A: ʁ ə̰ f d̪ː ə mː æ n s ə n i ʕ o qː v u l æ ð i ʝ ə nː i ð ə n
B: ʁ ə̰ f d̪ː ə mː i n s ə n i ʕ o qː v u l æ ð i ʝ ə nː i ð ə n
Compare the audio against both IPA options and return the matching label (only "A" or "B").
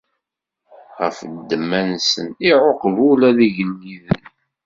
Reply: A